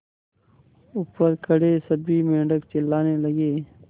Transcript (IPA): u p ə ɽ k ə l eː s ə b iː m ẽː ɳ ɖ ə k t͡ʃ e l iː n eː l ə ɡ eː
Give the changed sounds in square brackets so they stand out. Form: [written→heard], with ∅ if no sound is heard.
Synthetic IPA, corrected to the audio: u p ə [ɽ→ɾ] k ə [l→ɽ] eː s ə b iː m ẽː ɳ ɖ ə k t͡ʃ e l [iː→aː] n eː l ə ɡ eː